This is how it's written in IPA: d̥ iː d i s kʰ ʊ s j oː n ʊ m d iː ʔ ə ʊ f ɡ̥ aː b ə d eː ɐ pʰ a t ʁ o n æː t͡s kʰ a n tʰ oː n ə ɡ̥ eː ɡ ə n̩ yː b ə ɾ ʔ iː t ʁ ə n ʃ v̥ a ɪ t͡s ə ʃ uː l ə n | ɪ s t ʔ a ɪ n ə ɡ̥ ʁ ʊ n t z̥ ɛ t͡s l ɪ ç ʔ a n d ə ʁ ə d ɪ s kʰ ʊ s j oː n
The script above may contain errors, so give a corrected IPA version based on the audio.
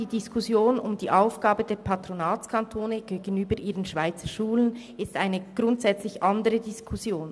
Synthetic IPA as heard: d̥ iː d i s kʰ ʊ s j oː n ʊ m d iː ʔ a ʊ f ɡ̥ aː b ə d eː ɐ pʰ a t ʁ o n aː t͡s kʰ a n tʰ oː n ə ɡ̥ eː ɡ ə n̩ yː b ə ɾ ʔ iː ʁ ə n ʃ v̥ a ɪ t͡s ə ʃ uː l ə n | ɪ s t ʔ a ɪ n ə ɡ̥ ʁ ʊ n t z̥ ɛ t͡s l ɪ ç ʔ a n d ə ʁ ə d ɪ s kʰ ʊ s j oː n